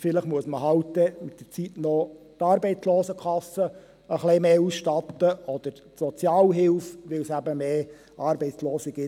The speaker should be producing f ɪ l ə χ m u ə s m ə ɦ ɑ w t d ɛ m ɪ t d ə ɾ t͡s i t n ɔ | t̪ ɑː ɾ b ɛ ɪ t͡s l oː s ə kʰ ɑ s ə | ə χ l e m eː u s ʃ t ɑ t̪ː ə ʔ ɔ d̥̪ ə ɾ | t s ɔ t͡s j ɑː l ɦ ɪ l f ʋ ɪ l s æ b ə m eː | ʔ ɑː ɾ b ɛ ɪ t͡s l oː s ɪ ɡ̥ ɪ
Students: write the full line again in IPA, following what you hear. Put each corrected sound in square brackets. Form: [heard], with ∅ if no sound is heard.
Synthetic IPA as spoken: f ɪ l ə χ m u ə s m ə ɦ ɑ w t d ɛ m ɪ t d ə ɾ t͡s i t n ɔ | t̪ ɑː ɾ b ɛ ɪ t͡s l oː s ə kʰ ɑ s ə | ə χ l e m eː u s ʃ t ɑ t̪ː ə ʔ ɔ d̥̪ ə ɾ | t s ɔ t͡s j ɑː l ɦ ɪ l f ʋ ɪ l s æ b ə m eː | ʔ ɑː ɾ b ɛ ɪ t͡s l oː s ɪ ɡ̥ ɪ